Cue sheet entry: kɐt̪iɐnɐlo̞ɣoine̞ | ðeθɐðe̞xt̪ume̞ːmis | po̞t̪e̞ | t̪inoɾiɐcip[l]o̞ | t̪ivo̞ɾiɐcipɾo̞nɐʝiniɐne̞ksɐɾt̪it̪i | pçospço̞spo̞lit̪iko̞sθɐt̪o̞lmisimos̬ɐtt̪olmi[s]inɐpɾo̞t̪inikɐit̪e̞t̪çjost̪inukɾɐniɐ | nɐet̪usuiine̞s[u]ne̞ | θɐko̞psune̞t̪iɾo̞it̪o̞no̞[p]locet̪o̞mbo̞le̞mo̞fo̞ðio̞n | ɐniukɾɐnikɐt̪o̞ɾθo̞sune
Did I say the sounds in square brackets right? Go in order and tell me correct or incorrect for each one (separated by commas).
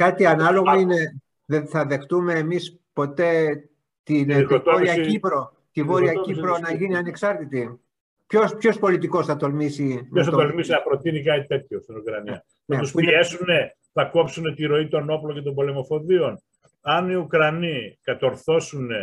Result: incorrect, correct, correct, correct